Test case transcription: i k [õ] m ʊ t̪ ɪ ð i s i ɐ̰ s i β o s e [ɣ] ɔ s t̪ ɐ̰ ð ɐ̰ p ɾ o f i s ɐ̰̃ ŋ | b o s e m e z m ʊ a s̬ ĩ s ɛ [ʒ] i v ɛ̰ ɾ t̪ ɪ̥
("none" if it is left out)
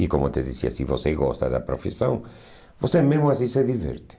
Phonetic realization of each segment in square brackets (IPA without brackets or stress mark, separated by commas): o, ɣ, ð